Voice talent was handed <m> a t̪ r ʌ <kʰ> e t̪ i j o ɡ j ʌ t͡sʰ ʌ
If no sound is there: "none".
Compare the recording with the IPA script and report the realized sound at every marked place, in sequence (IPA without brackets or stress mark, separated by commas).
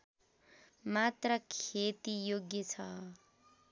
m, kʰ